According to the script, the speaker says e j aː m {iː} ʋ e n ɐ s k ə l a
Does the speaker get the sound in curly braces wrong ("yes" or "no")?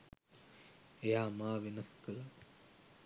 yes